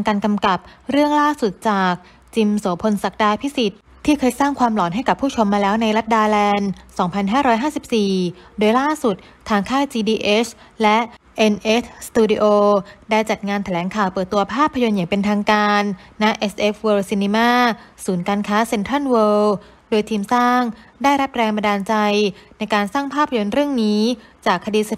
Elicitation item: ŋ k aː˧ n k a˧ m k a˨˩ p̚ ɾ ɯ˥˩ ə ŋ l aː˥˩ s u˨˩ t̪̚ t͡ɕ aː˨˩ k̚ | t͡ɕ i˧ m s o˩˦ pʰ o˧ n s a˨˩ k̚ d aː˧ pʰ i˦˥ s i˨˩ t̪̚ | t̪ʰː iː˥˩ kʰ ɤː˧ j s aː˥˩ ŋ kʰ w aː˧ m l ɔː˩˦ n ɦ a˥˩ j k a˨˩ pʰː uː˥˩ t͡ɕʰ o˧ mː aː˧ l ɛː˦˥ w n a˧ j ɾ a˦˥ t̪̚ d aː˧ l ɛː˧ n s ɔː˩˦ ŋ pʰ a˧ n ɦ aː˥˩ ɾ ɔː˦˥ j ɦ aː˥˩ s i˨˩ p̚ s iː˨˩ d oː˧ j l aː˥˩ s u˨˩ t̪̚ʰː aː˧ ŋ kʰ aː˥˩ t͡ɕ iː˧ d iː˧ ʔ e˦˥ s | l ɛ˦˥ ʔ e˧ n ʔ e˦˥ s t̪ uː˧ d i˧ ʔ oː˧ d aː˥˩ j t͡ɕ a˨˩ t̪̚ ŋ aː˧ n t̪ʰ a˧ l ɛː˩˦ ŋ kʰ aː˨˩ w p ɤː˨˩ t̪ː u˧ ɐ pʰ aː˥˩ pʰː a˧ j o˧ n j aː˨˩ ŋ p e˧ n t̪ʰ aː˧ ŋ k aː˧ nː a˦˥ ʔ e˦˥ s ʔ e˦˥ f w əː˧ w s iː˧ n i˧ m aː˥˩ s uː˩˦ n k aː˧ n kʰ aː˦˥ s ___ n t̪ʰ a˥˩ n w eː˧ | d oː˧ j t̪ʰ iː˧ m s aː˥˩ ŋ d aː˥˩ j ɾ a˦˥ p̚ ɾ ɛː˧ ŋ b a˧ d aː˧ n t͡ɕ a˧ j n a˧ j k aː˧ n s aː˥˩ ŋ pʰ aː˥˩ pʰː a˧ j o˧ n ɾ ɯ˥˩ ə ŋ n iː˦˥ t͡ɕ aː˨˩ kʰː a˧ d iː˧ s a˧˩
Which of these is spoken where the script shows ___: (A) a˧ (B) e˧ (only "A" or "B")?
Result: B